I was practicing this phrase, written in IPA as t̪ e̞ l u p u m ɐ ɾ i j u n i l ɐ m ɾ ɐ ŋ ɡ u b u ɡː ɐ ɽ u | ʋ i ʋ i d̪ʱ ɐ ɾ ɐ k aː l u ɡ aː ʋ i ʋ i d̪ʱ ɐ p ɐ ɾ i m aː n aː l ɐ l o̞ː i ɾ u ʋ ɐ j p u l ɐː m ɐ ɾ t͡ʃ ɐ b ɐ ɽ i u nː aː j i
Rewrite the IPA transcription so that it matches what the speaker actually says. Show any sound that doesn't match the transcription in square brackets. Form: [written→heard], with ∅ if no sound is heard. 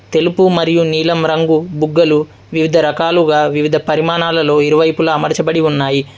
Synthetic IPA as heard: t̪ e̞ l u p u m ɐ ɾ i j u n [i→iː] l ɐ m ɾ ɐ ŋ ɡ u b u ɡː ɐ [ɽ→l] u | ʋ i ʋ i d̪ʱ ɐ ɾ ɐ k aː l u ɡ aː ʋ i ʋ i d̪ʱ ɐ p ɐ ɾ i m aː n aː l ɐ l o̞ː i ɾ u ʋ ɐ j p u l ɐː m ɐ ɾ t͡ʃ ɐ b ɐ ɽ i u nː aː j i